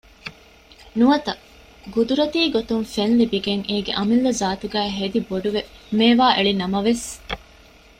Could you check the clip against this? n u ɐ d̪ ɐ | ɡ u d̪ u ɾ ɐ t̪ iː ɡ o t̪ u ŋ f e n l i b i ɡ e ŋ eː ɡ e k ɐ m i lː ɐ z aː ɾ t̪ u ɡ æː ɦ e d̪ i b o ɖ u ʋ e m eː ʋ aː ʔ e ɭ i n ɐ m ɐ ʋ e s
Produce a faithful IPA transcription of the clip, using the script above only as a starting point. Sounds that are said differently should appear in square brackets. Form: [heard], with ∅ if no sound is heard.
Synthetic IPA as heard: n u ɐ [t̪] ɐ | ɡ u d̪ u ɾ ɐ t̪ iː ɡ o t̪ u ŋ f e n l i b i ɡ e ŋ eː ɡ e [ʔ] ɐ m i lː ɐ z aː [∅] t̪ u ɡ æː ɦ e d̪ i b o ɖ u ʋ e m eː ʋ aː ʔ e ɭ i n ɐ m ɐ ʋ e s